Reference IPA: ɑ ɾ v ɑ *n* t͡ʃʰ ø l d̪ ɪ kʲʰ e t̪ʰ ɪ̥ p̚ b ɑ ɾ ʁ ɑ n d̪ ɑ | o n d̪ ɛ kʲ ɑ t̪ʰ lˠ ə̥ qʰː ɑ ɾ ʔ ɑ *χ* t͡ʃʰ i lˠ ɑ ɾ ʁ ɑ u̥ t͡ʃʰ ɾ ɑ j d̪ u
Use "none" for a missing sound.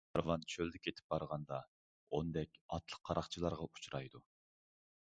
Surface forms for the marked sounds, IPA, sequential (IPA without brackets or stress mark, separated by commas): n, χ